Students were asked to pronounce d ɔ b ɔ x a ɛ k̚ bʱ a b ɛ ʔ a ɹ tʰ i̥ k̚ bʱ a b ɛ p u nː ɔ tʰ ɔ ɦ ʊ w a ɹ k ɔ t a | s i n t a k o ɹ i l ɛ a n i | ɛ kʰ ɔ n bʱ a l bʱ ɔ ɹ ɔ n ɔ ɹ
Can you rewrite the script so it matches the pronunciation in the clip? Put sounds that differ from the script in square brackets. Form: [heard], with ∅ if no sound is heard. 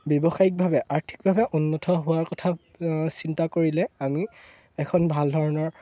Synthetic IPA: [b] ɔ b ɔ x a [i] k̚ bʱ a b ɛ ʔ a ɹ tʰ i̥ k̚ bʱ a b ɛ [ʔ] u nː ɔ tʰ ɔ ɦ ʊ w a ɹ k ɔ [tʰ] a | s i n t a k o ɹ i l ɛ a [m] i | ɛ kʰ ɔ n bʱ a l [dʱ] ɔ ɹ ɔ n ɔ ɹ